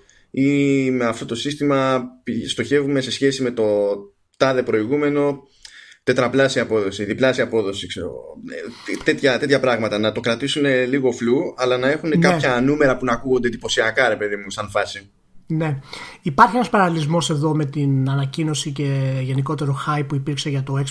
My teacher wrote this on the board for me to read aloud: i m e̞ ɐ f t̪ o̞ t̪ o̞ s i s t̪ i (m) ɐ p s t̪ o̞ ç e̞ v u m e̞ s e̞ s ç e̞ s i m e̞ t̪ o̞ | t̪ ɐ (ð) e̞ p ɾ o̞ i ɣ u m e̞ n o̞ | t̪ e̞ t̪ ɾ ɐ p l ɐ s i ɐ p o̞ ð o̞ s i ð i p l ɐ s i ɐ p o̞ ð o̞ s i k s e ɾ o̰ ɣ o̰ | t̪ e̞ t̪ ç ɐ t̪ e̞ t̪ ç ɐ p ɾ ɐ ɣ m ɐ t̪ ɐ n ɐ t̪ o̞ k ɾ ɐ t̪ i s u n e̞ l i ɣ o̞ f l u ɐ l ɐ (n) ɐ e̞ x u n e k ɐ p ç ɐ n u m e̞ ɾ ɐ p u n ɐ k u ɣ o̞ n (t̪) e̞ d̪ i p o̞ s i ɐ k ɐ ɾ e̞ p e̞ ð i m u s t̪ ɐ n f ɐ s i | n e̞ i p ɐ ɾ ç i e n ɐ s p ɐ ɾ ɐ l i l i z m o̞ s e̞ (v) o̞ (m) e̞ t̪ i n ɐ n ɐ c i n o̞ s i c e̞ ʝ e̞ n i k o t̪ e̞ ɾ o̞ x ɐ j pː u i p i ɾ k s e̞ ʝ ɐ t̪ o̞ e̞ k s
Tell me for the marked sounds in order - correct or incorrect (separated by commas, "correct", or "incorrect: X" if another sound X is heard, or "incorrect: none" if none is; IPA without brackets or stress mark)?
correct, correct, correct, incorrect: d̪, incorrect: ð, correct